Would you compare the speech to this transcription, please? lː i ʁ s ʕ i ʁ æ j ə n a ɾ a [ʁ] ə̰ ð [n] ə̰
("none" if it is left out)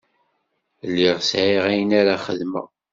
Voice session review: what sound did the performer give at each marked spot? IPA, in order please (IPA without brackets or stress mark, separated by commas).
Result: χ, m